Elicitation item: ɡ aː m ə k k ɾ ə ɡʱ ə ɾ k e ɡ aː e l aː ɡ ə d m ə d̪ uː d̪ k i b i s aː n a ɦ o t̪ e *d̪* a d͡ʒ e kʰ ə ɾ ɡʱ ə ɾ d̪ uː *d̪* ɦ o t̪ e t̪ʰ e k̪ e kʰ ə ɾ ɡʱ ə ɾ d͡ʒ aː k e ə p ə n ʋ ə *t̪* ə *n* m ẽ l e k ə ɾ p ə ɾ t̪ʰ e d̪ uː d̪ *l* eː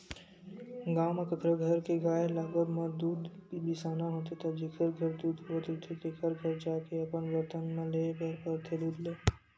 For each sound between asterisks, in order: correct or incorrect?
incorrect: t̪, correct, correct, correct, correct

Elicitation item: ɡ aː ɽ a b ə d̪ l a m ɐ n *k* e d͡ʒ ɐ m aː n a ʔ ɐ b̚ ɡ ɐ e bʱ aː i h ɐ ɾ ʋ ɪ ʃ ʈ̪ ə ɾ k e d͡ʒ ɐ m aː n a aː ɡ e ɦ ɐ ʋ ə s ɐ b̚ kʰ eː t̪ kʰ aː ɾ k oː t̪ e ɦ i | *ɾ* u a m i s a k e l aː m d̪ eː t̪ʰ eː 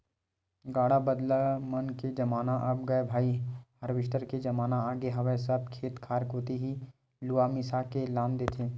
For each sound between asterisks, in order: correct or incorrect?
correct, incorrect: l

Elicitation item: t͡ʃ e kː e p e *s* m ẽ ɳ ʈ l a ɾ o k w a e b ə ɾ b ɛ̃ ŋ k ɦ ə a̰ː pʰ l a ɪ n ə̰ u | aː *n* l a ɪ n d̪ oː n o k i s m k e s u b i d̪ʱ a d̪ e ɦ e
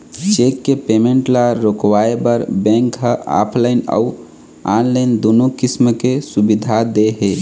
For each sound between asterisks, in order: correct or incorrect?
incorrect: none, correct

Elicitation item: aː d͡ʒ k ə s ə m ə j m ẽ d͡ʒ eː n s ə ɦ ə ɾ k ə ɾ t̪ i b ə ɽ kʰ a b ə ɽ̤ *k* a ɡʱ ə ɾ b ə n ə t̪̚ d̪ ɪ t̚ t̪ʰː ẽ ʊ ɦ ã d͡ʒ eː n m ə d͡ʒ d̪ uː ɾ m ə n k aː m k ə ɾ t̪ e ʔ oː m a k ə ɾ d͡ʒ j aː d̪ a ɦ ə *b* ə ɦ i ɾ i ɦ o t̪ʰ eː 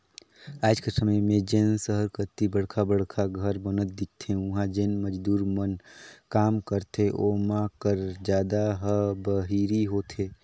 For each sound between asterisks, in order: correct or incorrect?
incorrect: kʰ, correct

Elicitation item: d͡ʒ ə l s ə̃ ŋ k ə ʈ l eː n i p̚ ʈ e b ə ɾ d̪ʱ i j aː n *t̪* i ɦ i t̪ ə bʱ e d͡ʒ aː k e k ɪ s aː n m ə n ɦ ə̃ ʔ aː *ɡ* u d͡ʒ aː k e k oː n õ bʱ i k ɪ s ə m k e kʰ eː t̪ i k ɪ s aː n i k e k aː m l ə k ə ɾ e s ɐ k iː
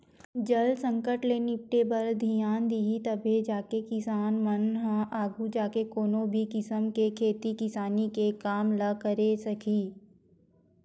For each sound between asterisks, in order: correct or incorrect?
incorrect: d̪, correct

